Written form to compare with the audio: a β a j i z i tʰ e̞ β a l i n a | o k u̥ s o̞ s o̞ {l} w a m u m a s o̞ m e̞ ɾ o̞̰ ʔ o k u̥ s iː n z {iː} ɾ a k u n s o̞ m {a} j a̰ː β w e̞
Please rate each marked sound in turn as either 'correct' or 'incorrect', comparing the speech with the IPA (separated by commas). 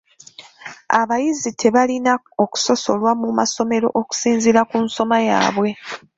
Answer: correct, incorrect, correct